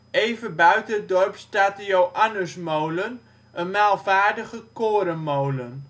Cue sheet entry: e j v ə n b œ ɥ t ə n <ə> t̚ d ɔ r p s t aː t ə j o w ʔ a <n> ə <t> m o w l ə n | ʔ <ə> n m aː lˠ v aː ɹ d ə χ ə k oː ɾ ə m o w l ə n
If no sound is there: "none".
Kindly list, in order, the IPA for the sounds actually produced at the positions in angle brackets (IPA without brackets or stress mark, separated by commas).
ə, n, s, ə